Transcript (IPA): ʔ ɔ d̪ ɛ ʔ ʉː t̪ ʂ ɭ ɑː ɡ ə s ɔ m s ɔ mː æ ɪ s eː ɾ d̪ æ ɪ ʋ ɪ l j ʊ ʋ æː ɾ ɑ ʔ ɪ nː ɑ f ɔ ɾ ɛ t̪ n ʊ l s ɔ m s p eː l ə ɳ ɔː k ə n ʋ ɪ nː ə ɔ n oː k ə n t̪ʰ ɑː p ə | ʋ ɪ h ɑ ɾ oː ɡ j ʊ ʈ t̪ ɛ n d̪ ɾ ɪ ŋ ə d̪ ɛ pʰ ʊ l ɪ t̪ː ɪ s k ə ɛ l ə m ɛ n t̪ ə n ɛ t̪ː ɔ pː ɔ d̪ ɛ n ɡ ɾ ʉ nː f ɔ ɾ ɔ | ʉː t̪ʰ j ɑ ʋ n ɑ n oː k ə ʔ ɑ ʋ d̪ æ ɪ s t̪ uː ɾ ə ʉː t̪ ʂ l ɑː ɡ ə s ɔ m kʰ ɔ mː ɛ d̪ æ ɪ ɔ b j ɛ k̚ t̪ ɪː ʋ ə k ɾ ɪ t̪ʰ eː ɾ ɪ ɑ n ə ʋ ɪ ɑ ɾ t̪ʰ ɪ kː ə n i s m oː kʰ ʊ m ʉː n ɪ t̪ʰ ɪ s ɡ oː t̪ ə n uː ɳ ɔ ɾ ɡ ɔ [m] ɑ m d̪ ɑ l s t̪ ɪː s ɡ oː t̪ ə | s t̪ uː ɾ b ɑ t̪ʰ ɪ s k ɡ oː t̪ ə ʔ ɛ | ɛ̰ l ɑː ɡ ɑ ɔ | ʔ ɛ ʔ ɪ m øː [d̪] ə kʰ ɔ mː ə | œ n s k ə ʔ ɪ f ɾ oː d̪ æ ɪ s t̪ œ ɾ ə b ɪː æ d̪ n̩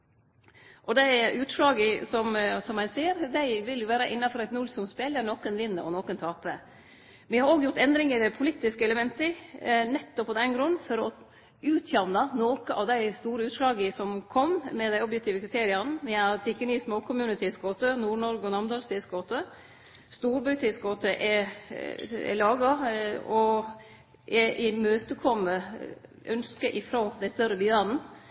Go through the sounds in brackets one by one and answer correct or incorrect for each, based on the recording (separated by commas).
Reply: incorrect, incorrect